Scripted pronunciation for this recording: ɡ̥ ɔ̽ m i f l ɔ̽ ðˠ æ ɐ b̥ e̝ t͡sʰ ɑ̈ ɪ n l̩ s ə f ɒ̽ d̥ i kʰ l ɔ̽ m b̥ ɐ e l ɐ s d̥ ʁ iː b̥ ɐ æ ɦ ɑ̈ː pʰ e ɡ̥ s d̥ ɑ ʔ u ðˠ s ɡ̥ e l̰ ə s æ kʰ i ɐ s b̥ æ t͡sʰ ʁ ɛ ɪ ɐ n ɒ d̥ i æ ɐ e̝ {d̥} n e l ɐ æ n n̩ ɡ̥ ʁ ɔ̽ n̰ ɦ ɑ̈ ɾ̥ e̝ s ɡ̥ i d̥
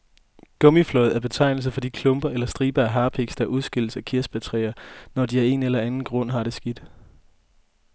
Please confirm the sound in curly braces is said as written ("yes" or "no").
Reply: no